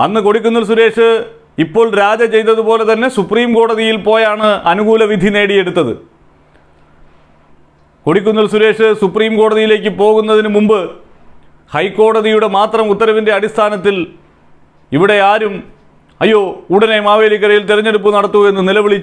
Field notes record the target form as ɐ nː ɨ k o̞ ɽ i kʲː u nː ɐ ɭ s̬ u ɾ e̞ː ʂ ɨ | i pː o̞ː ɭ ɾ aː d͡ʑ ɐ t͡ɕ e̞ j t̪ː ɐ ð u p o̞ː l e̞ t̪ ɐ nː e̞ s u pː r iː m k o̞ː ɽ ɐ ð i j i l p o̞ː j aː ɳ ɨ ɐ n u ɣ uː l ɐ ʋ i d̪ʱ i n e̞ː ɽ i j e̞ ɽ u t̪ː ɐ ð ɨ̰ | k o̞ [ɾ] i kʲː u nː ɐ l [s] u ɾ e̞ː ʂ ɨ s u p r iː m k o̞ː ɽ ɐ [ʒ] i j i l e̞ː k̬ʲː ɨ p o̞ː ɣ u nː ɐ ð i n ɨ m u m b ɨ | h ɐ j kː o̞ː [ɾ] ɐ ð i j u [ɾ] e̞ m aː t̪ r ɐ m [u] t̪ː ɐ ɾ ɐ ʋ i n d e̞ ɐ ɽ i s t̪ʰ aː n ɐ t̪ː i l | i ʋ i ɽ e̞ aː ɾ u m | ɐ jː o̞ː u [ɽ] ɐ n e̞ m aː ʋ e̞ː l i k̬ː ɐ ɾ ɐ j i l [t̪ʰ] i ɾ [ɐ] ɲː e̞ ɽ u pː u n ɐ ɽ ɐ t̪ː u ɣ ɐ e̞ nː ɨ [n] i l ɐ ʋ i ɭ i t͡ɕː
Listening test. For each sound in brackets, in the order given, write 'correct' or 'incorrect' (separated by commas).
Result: incorrect, correct, incorrect, incorrect, incorrect, correct, correct, incorrect, correct, correct